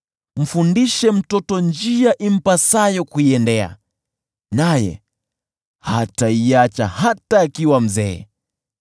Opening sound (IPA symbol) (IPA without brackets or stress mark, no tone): m̩